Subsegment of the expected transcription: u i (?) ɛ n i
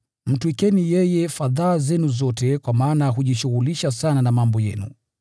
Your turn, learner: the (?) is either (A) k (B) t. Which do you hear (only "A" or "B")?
A